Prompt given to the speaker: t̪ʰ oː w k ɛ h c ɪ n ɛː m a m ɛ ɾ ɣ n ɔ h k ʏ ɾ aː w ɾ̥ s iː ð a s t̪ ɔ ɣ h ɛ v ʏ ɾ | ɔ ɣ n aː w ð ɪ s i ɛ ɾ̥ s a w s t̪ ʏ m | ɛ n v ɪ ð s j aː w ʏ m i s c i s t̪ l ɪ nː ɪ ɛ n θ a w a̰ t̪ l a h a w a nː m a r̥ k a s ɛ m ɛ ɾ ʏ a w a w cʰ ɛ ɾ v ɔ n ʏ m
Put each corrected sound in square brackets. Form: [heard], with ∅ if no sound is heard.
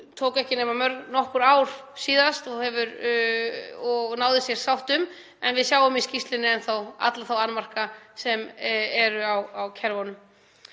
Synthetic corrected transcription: t̪ʰ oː w k ɛ h c ɪ n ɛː m a m [œ] ɾ ɣ n ɔ h k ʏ ɾ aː w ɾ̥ s iː ð a s t̪ ɔ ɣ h ɛ v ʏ ɾ | ɔ ɣ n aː w ð ɪ s [j] ɛ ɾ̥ s a w [h] t̪ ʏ m | ɛ n v ɪ ð s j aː w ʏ m i s c i s t̪ l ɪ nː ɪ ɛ n θ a w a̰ t̪ l a [θ] a w a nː m a r̥ k a s ɛ m ɛ ɾ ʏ a w a w cʰ ɛ ɾ v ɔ n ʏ m